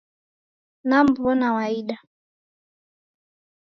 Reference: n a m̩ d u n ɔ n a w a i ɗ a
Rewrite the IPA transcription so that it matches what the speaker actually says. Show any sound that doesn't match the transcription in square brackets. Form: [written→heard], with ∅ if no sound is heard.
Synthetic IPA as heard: n a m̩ [d→b] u [n→∅] ɔ n a w a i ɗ a